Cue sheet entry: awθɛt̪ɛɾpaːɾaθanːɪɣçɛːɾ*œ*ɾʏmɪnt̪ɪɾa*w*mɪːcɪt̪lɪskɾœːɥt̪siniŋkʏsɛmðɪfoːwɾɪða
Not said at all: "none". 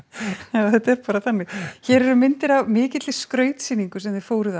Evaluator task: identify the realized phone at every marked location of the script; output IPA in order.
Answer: ɛ, v

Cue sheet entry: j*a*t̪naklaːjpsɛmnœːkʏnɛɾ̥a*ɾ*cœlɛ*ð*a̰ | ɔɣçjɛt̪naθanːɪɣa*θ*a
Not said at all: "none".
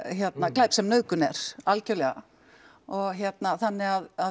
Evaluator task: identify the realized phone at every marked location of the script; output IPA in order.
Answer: ɛ, l, ɣ, ð

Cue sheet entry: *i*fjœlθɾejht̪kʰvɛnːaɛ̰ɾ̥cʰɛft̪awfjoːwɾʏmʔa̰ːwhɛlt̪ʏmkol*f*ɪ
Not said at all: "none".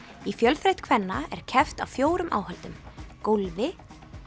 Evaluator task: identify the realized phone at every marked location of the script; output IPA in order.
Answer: i, v

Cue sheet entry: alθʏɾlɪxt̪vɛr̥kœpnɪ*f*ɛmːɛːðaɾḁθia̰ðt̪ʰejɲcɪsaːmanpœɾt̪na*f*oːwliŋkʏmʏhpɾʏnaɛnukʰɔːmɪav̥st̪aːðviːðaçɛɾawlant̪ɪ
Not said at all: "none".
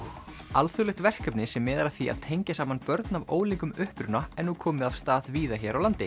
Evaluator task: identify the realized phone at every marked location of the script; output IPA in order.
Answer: s, v

